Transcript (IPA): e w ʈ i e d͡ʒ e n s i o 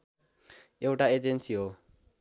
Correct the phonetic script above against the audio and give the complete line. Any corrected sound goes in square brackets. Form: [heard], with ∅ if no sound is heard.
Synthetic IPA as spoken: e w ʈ [a] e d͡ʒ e n s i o

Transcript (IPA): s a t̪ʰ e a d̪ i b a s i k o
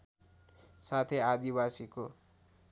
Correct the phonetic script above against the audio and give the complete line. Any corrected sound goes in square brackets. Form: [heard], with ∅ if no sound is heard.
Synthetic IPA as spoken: s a t̪ʰ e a d̪ i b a s i k o

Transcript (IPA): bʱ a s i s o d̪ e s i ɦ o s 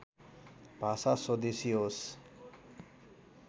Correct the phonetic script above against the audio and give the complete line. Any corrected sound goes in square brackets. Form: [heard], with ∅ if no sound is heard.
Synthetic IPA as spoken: bʱ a s [a] s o d̪ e s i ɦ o s

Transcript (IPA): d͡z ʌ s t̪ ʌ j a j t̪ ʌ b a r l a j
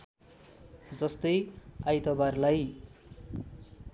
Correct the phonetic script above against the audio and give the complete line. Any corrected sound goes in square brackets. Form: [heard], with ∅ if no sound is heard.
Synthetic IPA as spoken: d͡z ʌ s t̪ ʌ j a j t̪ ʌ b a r l a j

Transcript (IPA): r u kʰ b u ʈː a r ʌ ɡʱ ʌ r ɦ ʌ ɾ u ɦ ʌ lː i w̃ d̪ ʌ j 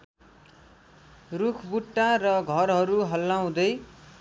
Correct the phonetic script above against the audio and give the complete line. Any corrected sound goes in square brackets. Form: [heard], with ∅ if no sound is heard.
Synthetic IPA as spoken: r u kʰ b u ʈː a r ʌ ɡʱ ʌ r ɦ ʌ ɾ u ɦ ʌ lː [a] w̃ d̪ ʌ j

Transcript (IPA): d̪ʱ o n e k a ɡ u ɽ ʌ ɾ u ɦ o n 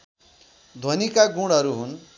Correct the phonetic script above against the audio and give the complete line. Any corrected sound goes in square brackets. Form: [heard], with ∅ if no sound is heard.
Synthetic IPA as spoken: d̪ʱ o n [i] k a ɡ u ɽ ʌ ɾ u ɦ [u] n

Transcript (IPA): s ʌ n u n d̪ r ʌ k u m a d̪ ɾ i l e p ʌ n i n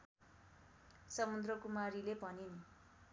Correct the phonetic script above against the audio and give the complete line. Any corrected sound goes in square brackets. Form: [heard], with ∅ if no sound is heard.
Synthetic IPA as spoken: s ʌ [m] u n d̪ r ʌ k u m a [∅] ɾ i l e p ʌ n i n

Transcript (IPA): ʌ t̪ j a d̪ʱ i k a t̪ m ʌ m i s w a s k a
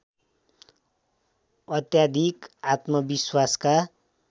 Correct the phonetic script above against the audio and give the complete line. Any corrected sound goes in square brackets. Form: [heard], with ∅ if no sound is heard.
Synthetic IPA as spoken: ʌ t̪ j a d̪ʱ i k a t̪ m ʌ [b] i s w a s k a

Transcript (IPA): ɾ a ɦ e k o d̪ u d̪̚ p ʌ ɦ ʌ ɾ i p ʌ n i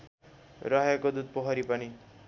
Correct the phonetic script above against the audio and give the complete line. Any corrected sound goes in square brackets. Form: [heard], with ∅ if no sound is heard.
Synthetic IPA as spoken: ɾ [ʌ] ɦ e k o d̪ u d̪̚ p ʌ ɦ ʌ ɾ i p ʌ n i

